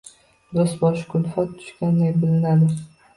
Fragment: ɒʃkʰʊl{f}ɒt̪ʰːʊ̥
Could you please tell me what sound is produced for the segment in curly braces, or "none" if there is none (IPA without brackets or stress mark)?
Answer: f